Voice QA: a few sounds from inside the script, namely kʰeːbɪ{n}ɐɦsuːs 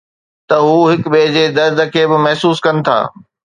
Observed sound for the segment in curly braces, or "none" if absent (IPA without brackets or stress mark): m